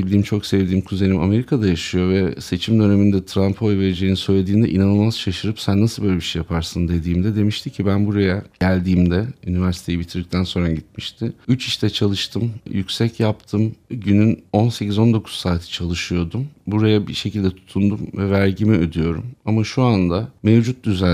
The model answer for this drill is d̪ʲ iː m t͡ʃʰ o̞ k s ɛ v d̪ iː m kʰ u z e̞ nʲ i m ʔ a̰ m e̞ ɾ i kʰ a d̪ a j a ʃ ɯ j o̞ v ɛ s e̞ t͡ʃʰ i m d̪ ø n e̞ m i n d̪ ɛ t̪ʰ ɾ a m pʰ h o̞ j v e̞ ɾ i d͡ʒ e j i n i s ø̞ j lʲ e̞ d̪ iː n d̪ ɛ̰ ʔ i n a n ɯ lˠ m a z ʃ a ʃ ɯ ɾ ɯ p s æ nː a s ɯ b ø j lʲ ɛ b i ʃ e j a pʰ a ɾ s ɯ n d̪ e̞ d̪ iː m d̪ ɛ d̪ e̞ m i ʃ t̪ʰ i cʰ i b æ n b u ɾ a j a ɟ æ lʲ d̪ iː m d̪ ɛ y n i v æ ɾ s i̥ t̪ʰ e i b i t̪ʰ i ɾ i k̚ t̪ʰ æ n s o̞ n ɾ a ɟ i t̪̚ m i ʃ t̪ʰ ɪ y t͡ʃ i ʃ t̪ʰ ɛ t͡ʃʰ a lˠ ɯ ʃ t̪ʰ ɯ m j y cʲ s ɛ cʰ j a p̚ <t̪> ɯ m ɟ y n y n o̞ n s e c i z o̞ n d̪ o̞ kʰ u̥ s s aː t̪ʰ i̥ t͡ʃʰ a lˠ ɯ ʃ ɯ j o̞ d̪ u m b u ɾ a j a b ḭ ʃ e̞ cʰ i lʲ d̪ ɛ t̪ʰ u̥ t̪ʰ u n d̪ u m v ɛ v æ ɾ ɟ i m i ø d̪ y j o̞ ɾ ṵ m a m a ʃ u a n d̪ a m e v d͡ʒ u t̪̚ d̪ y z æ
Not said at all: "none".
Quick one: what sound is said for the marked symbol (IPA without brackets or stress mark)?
t̪ʰ